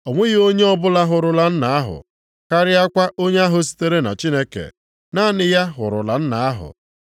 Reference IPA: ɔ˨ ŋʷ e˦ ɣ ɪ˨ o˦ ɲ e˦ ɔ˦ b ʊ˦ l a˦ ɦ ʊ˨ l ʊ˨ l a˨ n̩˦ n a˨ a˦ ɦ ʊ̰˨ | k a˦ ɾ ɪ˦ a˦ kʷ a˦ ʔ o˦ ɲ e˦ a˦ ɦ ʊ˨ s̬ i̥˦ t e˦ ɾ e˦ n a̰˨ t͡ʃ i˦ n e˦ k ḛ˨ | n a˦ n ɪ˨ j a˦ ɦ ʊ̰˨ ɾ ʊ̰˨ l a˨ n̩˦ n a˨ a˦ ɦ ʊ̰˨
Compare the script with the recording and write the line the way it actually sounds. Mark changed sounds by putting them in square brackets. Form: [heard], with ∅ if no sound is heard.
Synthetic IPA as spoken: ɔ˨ ŋʷ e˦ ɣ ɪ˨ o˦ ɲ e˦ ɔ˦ b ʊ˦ l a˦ ɦ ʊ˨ [ɾ] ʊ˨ l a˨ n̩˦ n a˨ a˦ ɦ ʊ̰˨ | k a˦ ɾ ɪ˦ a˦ kʷ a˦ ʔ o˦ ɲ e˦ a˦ ɦ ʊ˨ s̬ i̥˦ t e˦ ɾ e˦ n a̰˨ t͡ʃ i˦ n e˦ k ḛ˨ | n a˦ n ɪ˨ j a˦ ɦ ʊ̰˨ ɾ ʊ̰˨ l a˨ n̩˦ n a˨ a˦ ɦ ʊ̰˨